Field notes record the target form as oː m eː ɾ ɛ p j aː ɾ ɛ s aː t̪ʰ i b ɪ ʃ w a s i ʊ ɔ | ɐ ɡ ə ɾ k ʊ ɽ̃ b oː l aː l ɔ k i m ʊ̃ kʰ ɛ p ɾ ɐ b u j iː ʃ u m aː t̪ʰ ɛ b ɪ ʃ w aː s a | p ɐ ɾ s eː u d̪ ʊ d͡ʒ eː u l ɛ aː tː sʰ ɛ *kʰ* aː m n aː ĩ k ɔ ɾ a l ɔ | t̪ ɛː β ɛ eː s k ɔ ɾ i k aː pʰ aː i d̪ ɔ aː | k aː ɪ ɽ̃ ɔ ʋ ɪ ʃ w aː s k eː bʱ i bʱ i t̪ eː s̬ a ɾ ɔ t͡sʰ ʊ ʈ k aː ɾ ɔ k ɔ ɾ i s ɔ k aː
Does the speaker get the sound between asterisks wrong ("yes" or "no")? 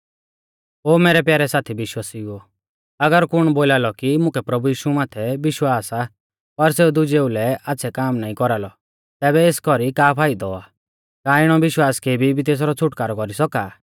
yes